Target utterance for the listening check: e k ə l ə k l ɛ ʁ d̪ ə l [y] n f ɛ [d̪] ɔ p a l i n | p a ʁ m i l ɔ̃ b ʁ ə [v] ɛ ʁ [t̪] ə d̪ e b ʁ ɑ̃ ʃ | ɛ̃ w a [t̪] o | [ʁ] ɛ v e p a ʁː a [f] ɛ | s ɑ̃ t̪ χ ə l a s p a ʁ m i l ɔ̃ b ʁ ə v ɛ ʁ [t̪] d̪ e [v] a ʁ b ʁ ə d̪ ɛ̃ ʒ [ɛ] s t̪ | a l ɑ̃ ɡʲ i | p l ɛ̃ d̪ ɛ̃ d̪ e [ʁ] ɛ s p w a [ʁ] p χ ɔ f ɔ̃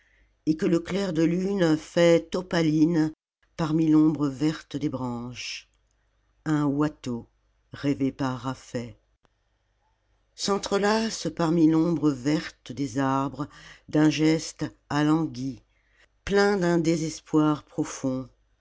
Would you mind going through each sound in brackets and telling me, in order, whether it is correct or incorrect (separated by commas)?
correct, incorrect, correct, correct, correct, correct, correct, correct, incorrect, correct, incorrect, correct